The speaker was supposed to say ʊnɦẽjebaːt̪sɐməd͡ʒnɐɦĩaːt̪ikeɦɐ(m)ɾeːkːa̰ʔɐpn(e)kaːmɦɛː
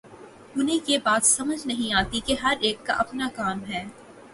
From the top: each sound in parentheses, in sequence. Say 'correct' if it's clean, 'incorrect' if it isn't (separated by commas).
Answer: incorrect, incorrect